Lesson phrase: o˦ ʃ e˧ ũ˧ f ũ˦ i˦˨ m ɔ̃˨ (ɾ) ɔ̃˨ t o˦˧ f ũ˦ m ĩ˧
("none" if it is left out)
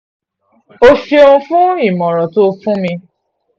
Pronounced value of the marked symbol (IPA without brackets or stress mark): ɾ